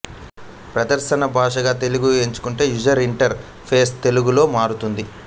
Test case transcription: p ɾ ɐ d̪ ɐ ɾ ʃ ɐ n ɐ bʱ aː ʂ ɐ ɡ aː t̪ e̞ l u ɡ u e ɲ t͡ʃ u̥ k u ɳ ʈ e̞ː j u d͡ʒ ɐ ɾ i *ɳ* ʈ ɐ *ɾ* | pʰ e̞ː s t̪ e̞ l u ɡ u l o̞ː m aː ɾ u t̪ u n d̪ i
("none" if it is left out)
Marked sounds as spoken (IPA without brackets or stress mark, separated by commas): ɳ, ɾ